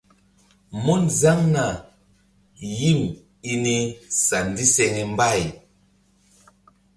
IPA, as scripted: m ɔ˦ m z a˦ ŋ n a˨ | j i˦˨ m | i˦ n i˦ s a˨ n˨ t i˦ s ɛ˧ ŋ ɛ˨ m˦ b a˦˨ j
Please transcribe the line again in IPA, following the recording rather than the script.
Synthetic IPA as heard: m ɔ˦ n z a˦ ŋ n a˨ | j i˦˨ m | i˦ n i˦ s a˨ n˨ d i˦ s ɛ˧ ŋ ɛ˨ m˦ b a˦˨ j

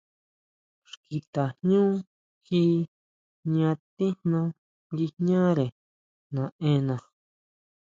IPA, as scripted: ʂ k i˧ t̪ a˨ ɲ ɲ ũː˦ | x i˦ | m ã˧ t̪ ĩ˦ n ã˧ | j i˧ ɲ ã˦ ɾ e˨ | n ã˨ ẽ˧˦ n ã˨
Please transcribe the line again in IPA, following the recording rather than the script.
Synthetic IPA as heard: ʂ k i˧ t̪ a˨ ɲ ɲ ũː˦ | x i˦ | ɲ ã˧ t̪ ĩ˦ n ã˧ | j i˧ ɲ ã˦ ɾ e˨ | n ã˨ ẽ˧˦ n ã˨

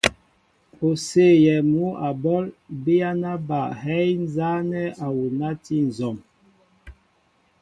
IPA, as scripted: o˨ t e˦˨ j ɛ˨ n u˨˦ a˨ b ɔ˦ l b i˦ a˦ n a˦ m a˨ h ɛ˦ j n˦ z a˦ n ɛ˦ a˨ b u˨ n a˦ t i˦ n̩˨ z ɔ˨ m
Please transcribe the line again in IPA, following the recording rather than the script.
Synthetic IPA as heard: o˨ s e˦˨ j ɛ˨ m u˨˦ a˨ b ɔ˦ l b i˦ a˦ n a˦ b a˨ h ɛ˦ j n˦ z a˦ n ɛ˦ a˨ w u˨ n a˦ t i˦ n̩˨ z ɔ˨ m

